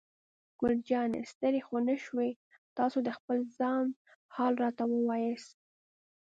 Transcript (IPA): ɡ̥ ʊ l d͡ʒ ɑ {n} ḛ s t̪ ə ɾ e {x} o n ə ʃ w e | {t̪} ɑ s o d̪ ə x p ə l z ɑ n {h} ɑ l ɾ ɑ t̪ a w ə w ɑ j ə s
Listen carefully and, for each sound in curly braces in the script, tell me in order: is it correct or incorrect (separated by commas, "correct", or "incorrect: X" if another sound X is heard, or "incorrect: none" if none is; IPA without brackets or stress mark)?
correct, correct, correct, correct